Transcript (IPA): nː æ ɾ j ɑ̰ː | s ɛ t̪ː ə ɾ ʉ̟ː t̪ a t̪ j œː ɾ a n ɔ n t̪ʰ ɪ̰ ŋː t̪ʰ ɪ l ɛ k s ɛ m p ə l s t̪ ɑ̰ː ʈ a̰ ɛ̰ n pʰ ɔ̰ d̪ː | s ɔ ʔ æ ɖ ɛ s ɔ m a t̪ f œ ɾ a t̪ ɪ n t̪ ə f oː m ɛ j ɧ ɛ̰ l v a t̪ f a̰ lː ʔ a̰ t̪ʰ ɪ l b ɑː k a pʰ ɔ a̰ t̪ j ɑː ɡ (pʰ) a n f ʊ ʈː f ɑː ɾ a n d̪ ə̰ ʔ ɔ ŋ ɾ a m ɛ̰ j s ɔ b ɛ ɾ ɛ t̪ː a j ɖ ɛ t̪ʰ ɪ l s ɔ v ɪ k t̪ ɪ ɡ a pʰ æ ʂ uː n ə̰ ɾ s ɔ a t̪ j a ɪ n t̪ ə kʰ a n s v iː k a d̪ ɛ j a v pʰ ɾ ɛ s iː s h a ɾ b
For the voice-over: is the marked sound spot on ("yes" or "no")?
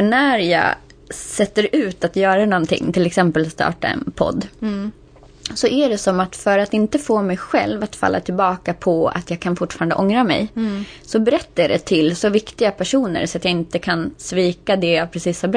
no